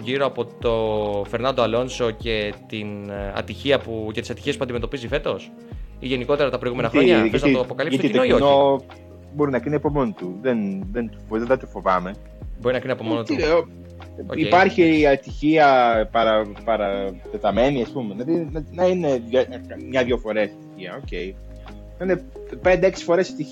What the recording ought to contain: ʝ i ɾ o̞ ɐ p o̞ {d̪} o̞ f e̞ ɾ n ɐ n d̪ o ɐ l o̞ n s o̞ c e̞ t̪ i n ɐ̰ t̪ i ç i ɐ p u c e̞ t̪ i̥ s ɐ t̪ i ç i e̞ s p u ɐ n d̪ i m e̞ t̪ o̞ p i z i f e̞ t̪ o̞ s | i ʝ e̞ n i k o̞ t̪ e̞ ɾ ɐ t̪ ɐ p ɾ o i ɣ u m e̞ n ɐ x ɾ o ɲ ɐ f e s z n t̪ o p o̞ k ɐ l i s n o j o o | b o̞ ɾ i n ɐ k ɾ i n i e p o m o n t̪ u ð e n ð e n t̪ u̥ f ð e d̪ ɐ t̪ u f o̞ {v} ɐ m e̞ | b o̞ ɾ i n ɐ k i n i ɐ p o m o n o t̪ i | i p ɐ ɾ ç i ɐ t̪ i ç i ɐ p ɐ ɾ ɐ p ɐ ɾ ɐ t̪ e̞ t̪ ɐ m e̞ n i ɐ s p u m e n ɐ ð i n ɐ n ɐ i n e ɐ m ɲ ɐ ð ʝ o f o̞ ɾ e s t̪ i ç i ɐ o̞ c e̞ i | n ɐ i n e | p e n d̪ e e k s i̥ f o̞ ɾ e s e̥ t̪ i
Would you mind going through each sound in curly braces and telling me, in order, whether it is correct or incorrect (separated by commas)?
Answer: incorrect, correct